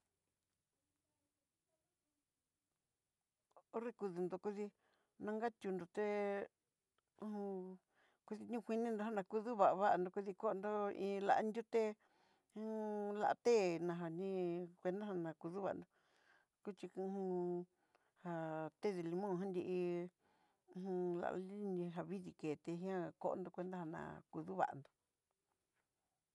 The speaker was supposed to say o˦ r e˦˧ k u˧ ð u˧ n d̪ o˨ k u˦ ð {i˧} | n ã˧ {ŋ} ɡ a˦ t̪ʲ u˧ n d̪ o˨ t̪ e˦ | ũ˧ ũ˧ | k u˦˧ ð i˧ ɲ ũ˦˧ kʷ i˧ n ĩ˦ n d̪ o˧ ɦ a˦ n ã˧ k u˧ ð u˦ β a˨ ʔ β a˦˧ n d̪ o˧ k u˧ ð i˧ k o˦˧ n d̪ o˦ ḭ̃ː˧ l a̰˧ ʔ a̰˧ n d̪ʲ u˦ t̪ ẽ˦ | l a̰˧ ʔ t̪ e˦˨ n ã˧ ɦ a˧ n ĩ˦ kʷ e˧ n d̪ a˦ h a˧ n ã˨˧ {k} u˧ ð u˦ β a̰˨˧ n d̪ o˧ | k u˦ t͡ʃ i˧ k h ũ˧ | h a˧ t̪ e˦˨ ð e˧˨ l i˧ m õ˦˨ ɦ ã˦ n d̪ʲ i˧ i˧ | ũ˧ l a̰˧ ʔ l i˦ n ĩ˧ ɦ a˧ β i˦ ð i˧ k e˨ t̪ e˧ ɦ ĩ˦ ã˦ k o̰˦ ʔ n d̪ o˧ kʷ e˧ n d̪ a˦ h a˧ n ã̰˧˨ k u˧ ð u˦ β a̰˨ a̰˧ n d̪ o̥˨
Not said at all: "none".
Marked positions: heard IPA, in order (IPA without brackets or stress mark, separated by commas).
i˧, ŋ, k